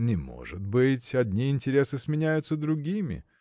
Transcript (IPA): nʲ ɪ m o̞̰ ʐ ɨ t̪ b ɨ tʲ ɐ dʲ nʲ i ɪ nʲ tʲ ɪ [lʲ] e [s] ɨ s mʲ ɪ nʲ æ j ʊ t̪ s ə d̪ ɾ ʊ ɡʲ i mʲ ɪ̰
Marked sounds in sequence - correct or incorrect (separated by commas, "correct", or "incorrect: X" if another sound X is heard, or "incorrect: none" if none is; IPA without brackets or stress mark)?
incorrect: ɾʲ, correct